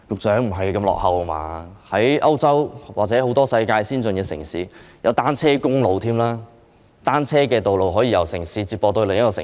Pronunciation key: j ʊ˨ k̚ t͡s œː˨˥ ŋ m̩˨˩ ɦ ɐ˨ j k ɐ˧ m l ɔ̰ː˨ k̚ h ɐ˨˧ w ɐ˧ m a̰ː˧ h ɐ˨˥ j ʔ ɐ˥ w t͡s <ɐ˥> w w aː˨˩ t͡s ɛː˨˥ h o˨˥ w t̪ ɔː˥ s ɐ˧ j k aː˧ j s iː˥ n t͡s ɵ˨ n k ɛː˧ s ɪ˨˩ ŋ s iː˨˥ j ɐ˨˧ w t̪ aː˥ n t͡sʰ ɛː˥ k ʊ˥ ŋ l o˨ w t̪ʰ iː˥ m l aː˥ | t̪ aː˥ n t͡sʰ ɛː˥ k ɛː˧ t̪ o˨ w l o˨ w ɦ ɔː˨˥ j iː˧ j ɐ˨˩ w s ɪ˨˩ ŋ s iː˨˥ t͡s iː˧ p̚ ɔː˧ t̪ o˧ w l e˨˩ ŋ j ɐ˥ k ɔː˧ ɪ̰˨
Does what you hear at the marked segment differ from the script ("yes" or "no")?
no